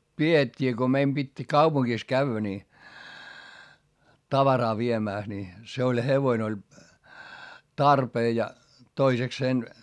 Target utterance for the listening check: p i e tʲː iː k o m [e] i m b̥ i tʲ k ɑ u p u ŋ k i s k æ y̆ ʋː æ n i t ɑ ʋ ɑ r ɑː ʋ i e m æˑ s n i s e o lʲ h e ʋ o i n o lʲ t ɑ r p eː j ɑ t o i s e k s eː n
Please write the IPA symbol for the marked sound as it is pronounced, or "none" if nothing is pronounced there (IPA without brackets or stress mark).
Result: e